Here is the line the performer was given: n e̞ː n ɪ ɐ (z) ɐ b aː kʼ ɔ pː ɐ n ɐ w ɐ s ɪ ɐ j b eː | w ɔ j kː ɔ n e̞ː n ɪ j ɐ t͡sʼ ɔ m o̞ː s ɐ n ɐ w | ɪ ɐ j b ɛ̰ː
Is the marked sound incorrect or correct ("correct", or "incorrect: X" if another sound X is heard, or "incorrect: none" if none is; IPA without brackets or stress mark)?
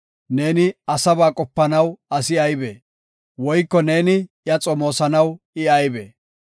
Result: incorrect: s